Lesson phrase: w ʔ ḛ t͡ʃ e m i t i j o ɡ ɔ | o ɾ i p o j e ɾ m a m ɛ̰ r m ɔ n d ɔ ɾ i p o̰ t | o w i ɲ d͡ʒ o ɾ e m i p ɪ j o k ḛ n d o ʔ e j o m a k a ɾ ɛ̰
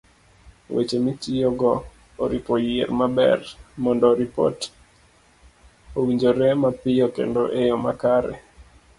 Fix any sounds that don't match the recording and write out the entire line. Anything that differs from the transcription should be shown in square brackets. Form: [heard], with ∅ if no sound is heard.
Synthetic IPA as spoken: w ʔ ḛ t͡ʃ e m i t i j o ɡ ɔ | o ɾ i p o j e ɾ m a [b] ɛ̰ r m ɔ n d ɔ ɾ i p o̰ t | o w i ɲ d͡ʒ o ɾ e m [a] p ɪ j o k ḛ n d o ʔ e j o m a k a ɾ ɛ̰